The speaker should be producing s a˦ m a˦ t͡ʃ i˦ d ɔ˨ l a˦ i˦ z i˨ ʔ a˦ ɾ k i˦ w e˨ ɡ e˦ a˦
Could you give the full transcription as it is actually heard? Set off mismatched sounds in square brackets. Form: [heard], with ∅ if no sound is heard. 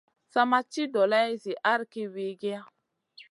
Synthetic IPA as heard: s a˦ m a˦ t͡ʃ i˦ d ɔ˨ l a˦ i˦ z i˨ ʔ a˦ ɾ k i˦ w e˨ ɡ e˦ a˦